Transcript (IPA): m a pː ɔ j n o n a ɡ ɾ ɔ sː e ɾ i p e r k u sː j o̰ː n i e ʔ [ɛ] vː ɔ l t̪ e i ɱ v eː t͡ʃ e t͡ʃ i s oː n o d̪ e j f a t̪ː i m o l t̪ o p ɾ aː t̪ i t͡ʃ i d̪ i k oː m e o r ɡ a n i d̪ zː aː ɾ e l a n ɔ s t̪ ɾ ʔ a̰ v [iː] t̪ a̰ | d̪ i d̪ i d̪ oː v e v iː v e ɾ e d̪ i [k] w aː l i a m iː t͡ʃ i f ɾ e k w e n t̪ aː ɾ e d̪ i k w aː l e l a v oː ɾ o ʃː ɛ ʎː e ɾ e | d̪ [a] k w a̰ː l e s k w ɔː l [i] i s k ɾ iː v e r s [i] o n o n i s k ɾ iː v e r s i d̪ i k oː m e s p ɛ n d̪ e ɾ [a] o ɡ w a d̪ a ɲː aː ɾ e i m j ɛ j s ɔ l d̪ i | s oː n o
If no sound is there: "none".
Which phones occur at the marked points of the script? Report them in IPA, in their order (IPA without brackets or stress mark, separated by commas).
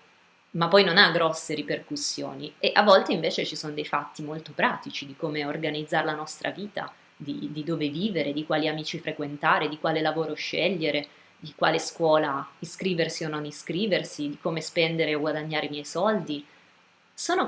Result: a, iː, k, i, a, i, e